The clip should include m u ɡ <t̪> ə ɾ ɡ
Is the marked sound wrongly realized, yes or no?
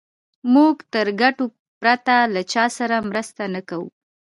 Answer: no